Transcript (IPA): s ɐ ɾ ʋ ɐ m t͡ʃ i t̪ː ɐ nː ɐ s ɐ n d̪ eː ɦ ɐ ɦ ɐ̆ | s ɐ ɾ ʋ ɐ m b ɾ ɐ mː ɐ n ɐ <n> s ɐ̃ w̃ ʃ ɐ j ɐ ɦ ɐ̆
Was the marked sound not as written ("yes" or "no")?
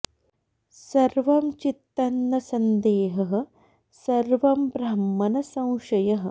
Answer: yes